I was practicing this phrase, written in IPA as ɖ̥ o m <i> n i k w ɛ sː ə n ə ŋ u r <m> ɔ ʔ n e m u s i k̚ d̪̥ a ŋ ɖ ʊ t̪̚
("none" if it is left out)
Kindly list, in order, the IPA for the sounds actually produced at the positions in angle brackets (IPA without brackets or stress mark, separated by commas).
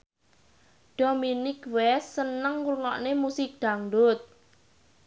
i, ŋ